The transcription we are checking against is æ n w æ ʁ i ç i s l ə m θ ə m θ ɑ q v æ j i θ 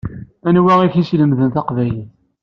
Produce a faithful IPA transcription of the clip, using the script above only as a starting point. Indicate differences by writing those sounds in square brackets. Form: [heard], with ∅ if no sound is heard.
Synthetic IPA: æ n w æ ʁ i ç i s l ə m [ð] ə [n] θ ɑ q v æ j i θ